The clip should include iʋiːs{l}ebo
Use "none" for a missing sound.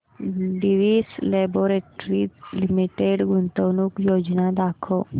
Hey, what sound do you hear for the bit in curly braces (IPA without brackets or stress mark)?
l